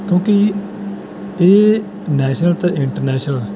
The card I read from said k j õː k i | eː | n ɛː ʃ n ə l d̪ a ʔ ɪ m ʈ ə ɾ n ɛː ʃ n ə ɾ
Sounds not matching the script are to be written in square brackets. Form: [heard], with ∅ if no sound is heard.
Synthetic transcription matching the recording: k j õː k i | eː | n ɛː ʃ n ə l [t̪] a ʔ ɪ [ɳ] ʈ ə ɾ n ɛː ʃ n ə [l]